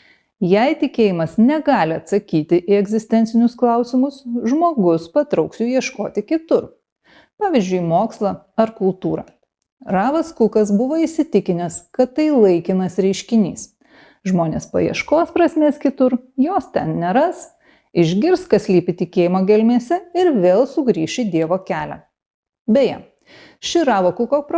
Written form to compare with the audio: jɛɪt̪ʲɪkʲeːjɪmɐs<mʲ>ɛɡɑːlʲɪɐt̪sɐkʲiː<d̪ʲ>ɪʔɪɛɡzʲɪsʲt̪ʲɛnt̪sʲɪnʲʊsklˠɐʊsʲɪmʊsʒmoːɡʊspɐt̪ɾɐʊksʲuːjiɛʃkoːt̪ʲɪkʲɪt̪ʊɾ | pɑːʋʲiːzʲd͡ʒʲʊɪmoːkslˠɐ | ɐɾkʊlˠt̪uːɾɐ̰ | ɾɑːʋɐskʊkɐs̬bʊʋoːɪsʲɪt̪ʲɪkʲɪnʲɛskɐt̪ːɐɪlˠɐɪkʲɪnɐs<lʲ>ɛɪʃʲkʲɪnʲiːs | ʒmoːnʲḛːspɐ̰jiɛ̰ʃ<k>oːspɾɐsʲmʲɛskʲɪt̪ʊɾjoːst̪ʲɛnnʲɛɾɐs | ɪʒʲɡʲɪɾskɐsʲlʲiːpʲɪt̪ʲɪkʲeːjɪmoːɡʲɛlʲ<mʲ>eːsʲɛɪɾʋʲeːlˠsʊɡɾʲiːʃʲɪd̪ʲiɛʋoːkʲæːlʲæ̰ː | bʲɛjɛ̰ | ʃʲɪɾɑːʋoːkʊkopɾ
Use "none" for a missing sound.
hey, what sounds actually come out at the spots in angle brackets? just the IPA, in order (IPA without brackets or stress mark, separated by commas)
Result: nʲ, t̪ʲ, ɾʲ, k, mʲ